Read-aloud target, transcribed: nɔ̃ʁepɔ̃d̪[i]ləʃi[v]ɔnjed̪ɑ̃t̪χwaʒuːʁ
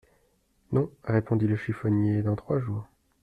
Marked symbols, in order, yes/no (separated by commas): yes, no